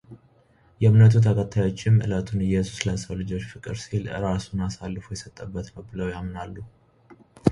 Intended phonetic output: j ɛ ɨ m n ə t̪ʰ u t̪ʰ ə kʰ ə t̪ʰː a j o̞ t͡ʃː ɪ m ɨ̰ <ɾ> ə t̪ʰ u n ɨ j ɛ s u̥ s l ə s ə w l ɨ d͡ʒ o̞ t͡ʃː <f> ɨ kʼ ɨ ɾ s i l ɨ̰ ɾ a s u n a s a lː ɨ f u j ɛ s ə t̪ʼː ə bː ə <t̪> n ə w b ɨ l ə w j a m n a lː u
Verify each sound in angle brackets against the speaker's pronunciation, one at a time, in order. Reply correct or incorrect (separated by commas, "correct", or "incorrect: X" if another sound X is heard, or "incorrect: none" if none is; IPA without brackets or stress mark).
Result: incorrect: l, correct, correct